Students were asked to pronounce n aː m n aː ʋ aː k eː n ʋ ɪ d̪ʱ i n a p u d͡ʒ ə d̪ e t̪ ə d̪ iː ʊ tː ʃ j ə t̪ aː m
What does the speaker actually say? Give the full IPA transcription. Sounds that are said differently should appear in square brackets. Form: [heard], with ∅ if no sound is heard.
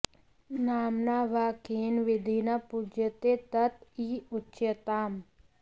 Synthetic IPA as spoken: n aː m n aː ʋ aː k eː n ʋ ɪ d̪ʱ i n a p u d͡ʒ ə [t̪] e t̪ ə [t̪] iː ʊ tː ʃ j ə t̪ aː m